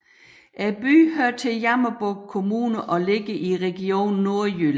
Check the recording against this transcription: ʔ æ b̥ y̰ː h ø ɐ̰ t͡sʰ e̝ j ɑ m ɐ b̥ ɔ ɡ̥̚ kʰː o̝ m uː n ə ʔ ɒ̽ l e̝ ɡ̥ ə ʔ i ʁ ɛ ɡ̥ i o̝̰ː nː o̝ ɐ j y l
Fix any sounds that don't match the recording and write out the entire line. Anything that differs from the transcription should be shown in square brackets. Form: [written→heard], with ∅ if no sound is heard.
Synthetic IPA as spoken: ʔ æ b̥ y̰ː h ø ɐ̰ t͡sʰ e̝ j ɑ m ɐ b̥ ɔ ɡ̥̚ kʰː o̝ m uː n ə ʔ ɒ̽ l e̝ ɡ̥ ə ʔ i ʁ ɛ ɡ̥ i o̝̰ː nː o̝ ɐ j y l